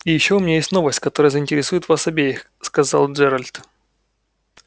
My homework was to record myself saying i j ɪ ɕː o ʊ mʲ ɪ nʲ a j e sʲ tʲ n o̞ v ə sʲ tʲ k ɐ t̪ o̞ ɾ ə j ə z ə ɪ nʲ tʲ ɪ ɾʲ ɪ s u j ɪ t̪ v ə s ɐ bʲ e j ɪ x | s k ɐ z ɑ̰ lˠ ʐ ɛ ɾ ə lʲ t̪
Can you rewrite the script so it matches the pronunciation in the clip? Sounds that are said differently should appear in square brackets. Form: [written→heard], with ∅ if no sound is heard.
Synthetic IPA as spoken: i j ɪ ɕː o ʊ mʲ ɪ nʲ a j e sʲ tʲ n o̞ v ə sʲ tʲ k ɐ t̪ o̞ ɾ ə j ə z ə ɪ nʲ tʲ ɪ ɾʲ ɪ s u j ɪ t̪ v [ə→a] s ɐ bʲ e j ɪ x | s k ɐ z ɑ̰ lˠ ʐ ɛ ɾ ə lʲ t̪